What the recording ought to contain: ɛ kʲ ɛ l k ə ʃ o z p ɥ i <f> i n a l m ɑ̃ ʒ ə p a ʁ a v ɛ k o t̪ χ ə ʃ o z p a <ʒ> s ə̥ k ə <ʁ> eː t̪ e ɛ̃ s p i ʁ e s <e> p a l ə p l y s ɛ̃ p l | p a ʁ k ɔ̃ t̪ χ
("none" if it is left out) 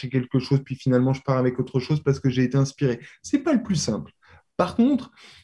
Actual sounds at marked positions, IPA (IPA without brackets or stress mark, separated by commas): f, ʁ, ʒ, ɛ